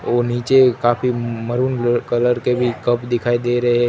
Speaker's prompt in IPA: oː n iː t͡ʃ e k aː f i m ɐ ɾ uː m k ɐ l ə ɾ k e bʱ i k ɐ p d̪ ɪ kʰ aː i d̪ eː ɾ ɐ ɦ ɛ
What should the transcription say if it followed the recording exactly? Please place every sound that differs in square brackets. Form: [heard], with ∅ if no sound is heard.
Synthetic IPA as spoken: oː n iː t͡ʃ e k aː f i m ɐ ɾ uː [n] k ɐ l ə ɾ k e bʱ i k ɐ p d̪ ɪ kʰ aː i d̪ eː ɾ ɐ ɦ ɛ